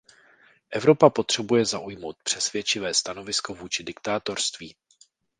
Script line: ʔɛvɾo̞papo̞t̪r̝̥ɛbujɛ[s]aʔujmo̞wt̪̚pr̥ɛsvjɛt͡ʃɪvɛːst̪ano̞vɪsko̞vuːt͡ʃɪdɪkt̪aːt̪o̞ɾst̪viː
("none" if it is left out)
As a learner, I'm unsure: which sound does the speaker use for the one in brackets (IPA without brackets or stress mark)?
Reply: z